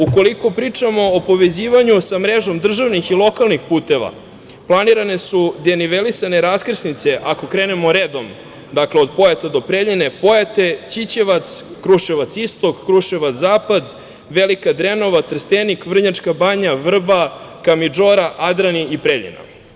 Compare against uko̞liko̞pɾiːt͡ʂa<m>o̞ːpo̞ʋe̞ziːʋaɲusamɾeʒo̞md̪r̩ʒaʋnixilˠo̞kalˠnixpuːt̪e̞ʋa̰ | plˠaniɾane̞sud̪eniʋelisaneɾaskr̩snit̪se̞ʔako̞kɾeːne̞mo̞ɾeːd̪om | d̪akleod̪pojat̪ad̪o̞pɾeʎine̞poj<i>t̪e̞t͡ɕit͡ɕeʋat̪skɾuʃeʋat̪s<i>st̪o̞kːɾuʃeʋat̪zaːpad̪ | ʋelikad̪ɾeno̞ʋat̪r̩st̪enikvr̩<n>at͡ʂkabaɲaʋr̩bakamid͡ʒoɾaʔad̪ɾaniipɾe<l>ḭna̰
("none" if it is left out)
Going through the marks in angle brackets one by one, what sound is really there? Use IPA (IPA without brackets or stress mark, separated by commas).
m, a, i, ɲ, ʎ